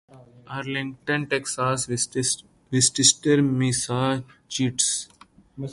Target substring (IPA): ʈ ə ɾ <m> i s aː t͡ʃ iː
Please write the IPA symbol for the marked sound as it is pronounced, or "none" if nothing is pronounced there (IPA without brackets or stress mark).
m